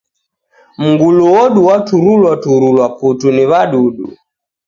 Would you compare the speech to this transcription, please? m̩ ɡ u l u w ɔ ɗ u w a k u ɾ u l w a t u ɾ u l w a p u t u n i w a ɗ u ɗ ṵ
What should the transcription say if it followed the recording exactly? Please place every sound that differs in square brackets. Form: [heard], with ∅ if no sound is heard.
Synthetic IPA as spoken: m̩ ɡ u l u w ɔ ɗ u w a [t] u ɾ u l w a t u ɾ u l w a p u t u n i [β] a ɗ u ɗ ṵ